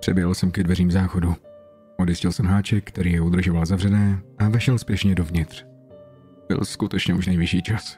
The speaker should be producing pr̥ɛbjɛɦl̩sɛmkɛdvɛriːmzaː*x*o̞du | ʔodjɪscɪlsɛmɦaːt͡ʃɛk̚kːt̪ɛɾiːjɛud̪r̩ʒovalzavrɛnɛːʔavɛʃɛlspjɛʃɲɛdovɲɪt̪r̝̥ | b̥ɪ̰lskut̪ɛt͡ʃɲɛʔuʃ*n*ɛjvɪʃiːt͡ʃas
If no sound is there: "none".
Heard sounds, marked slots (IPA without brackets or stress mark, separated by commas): x, n